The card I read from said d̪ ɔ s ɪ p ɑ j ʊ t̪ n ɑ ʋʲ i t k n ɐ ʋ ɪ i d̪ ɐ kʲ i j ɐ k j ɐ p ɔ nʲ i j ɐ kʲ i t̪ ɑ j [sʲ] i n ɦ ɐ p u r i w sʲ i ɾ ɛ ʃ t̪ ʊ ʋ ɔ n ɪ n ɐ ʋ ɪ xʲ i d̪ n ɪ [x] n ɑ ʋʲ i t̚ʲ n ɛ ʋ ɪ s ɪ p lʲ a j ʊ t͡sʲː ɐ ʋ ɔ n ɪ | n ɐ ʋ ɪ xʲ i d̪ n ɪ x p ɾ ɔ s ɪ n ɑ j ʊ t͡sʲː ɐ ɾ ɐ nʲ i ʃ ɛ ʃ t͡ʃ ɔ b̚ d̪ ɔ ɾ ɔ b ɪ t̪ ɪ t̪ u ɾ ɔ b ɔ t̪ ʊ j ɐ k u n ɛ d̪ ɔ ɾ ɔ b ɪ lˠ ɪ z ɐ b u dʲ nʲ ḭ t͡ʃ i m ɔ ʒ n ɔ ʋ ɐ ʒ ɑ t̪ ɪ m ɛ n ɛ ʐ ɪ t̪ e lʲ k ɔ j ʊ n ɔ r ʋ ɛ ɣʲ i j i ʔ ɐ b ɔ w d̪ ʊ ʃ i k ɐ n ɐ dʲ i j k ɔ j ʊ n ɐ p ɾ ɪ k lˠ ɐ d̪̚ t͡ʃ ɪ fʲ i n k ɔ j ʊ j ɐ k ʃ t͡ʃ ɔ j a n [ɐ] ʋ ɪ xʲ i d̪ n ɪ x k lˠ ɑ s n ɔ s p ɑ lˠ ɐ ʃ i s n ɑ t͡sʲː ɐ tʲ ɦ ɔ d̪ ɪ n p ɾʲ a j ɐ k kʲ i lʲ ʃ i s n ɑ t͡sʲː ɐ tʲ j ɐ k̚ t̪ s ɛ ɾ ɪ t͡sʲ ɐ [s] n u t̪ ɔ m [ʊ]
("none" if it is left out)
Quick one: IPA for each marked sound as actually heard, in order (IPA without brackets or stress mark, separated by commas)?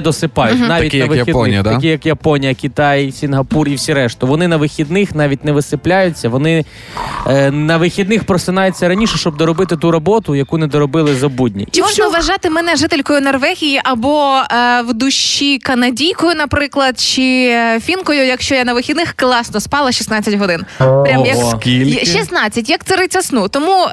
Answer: sʲ, x, ɐ, s, u